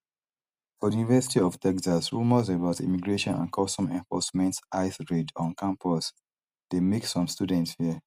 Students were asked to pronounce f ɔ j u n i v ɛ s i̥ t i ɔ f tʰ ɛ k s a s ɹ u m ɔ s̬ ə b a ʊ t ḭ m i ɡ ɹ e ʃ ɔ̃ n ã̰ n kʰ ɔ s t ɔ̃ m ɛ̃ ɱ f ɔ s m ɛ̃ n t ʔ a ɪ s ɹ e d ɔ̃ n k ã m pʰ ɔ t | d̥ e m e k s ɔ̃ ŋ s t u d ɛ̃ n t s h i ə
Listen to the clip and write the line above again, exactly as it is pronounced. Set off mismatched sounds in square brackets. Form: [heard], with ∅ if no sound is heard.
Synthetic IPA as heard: f ɔ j u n i v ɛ s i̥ t i ɔ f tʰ ɛ k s a s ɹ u m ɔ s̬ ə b a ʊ t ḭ m i ɡ ɹ e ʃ ɔ̃ n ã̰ n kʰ ɔ s t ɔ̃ m ɛ̃ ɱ f ɔ s m ɛ̃ n t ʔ a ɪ s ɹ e d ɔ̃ n k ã m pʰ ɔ [s] | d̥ e m e k s ɔ̃ [m] s t u d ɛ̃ n t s h i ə